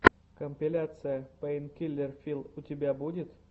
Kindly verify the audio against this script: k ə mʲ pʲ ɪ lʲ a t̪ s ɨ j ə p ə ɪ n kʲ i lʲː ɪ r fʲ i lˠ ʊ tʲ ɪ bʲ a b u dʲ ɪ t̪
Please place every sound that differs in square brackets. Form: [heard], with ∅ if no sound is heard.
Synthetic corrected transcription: k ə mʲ pʲ ɪ lʲ a t̪ s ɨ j ə p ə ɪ n kʲ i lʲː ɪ r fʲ i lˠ ʊ tʲ ɪ bʲ a b u dʲ ɪ t̪